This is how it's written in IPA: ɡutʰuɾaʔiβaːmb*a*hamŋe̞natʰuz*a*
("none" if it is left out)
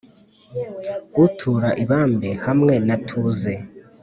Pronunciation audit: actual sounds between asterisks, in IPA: e, e

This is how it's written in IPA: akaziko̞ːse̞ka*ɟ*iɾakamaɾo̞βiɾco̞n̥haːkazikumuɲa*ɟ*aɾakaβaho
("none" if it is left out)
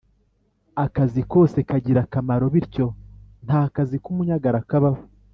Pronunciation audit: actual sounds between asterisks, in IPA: ɟ, ɡ

